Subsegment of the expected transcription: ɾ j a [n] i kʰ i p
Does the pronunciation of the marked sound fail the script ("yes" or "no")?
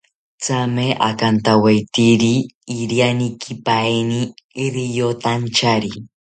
no